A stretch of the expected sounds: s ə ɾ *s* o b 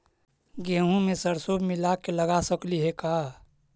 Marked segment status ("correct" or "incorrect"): correct